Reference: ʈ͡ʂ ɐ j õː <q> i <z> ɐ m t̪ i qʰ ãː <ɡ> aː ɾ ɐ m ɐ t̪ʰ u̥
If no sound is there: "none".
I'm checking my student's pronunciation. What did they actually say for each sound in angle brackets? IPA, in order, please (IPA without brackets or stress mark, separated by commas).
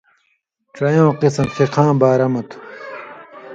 q, s, b